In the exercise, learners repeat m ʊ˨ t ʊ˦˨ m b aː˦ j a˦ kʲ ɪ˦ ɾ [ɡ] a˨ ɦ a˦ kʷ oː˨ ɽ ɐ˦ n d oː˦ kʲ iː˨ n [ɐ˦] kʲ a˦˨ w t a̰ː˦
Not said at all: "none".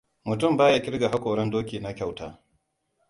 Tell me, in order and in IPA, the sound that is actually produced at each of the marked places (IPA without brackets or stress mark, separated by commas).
ɡ, a˦